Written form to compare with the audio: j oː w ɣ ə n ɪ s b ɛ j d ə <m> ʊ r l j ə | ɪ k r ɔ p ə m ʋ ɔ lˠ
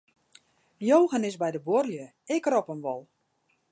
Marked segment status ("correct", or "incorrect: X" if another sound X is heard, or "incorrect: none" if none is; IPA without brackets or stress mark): incorrect: b